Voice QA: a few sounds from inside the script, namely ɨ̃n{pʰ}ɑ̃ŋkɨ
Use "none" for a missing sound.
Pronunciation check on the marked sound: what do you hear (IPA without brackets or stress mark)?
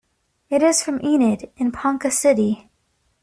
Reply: pʰ